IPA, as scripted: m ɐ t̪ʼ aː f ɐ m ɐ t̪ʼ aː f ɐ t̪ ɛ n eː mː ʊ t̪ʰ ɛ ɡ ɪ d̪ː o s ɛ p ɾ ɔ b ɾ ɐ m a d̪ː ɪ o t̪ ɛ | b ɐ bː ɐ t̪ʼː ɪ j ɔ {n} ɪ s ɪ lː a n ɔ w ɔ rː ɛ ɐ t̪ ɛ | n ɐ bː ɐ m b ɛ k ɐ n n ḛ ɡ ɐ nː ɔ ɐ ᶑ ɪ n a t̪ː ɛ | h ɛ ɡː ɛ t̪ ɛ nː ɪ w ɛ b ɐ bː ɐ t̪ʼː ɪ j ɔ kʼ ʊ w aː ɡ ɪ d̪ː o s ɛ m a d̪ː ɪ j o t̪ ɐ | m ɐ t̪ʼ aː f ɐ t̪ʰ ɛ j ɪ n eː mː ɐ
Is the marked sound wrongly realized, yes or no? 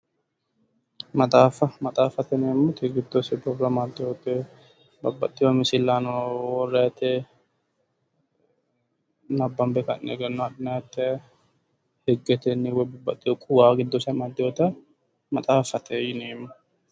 yes